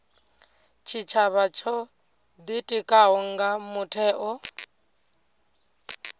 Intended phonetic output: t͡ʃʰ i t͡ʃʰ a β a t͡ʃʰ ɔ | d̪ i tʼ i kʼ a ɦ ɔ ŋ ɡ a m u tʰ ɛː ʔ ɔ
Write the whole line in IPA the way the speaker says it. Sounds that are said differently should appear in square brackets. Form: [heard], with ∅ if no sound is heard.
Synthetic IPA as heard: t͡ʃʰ i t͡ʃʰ a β a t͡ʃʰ ɔ | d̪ i tʼ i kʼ a ɦ ɔ ŋ ɡ a m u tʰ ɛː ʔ ɔ

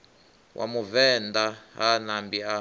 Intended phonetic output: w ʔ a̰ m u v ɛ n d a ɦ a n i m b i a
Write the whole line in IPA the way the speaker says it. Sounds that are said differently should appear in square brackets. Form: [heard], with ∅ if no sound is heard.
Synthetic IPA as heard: w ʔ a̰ m u v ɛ n d a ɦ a n [a] m b i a

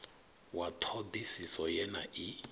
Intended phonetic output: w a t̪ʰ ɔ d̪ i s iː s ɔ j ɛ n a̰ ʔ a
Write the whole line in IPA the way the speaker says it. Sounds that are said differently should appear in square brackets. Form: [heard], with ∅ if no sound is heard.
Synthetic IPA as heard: w a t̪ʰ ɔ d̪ i s [i] s ɔ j ɛ n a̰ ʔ [i]

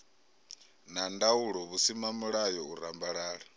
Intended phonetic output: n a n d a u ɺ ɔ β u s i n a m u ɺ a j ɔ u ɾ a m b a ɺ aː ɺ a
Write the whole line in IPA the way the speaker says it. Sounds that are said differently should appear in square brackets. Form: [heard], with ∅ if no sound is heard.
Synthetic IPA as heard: n a n d a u ɺ ɔ β u s i [m] a m u ɺ a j ɔ u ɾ a m b a ɺ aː ɺ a

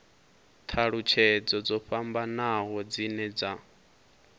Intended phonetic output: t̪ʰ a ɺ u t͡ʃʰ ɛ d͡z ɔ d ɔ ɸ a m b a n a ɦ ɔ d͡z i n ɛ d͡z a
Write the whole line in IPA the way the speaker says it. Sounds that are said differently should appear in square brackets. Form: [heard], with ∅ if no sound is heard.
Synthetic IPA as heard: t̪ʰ a ɺ u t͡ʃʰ ɛ d͡z ɔ [d͡z] ɔ ɸ a m b a n a ɦ ɔ d͡z i n ɛ d͡z a

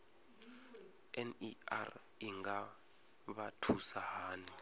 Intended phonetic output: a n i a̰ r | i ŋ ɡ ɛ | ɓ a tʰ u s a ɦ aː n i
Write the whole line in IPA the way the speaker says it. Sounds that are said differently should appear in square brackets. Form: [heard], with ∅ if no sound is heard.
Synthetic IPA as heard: [ɛ] n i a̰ r | i ŋ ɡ [a] | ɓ a tʰ u s a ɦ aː n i

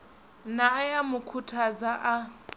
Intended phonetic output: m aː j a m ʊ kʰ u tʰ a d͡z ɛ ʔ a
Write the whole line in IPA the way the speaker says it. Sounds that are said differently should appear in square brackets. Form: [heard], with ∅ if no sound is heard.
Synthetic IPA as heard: [n] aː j a m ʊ kʰ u tʰ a d͡z [a] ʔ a

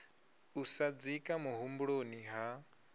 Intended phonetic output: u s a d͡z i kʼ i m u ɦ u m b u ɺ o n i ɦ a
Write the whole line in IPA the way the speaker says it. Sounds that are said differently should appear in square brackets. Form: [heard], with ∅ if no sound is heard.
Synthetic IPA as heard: u s a d͡z i kʼ [a] m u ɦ u m b u ɺ o n i ɦ a

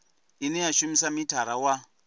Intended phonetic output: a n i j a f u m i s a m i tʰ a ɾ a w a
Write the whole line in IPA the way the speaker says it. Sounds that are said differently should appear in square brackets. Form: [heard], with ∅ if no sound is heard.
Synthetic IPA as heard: [i] n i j a [ʃ] u m i s a m i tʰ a ɾ a w a

